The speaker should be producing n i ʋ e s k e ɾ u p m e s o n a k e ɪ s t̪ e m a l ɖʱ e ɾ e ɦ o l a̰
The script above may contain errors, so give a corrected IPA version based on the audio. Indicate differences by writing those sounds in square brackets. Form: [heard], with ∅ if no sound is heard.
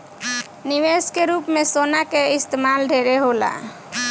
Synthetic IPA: n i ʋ e s k e ɾ u p m e s o n a k e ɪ s t̪ e m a l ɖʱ e ɾ e ɦ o l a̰